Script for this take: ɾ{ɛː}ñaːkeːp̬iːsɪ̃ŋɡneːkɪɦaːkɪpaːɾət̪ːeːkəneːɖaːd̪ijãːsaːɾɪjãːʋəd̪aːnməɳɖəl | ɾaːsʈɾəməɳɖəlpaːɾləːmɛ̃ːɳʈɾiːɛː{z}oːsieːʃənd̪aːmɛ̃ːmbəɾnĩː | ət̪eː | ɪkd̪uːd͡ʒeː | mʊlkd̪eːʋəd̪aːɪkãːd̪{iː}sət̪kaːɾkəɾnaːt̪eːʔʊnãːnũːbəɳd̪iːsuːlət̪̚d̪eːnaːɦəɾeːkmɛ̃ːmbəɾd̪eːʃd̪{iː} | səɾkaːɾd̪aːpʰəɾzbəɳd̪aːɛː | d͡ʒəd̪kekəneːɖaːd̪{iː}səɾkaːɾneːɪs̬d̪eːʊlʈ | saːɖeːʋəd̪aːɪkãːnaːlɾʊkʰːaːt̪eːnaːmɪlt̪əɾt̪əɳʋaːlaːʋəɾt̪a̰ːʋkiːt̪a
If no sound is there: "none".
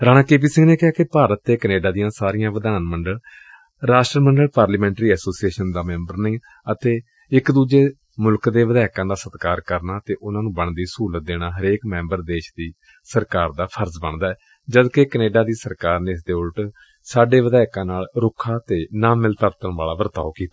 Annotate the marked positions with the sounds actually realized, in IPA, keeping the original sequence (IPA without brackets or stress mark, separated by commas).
aː, s, aː, iː, iː